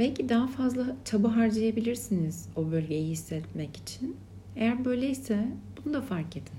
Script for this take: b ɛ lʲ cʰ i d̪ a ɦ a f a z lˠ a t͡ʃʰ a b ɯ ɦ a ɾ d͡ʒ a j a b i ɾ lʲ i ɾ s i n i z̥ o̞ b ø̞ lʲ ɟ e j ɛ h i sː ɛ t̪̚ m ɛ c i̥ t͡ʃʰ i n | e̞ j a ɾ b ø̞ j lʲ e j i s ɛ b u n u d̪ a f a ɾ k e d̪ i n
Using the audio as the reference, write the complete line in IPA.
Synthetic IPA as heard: b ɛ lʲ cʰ i d̪ a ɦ a f a z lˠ a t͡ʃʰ a b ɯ ɦ a ɾ d͡ʒ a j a b i lʲ i ɾ s i n i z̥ o̞ b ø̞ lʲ ɟ e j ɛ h i sː ɛ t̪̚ m ɛ c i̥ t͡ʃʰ i n | e̞ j æ ɾ b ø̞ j lʲ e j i s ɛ b u n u d̪ a f a ɾ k e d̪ i n